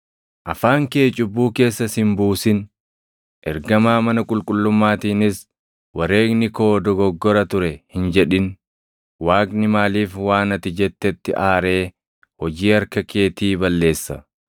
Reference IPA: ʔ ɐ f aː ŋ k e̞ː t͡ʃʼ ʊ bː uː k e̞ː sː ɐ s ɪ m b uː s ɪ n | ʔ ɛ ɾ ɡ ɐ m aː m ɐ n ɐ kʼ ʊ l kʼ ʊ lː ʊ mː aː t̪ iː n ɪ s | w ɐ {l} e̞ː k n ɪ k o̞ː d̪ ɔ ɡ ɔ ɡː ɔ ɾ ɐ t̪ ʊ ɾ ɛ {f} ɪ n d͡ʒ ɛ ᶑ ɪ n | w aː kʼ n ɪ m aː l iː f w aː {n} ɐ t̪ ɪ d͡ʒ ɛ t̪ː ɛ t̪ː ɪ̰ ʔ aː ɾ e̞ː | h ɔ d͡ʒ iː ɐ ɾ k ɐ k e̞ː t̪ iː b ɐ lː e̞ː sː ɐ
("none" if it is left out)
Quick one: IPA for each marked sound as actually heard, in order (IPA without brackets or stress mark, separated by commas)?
ɾ, h, n